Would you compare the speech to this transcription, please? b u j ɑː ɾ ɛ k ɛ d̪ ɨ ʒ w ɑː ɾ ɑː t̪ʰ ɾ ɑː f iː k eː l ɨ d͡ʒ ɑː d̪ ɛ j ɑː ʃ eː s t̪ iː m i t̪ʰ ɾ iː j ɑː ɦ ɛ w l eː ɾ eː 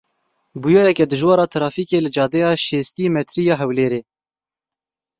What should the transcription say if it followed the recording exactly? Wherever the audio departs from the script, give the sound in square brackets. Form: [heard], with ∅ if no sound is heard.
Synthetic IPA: b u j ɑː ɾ ɛ k ɛ d̪ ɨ ʒ w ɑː ɾ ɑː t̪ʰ ɾ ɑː f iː k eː l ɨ d͡ʒ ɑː d̪ ɛ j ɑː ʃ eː s t̪ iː m [ɛ] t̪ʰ ɾ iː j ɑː ɦ ɛ w l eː ɾ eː